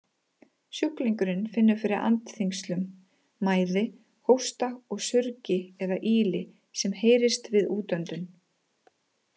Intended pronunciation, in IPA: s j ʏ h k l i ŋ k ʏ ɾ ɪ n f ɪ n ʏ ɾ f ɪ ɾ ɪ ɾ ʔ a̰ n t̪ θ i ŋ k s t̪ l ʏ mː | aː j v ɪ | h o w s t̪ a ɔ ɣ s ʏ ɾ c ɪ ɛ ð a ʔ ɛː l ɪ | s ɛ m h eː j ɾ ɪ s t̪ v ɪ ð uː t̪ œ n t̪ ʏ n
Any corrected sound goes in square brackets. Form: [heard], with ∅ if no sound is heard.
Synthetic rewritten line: s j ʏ h k l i ŋ k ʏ ɾ ɪ n f ɪ [nː] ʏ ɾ f ɪ ɾ ɪ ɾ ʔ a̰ n t̪ θ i ŋ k s t̪ l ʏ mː | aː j [ð] ɪ | h o w s t̪ a ɔ ɣ s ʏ ɾ c ɪ ɛ ð a ʔ [iː] l ɪ | s ɛ m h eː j ɾ ɪ s t̪ v ɪ ð uː t̪ œ n t̪ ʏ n